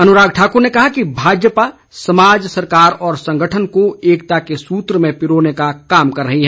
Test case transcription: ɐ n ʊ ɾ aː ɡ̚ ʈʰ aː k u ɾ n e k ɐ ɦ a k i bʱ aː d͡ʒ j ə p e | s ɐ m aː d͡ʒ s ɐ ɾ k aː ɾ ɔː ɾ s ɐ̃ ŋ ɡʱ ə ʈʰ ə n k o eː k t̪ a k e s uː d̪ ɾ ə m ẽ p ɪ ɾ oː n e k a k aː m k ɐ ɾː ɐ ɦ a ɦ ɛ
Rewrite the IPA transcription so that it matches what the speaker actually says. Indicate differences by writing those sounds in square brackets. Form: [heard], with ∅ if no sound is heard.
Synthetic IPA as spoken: ɐ n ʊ ɾ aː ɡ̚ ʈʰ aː k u ɾ n e k ɐ ɦ a k i bʱ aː d͡ʒ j ə p [a] | s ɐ m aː d͡ʒ s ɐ ɾ k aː ɾ ɔː ɾ s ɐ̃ ŋ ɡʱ ə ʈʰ ə n k o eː k t̪ a k e s uː [t̪] ɾ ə m ẽ p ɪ ɾ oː n e k a k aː m k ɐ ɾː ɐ ɦ [i] ɦ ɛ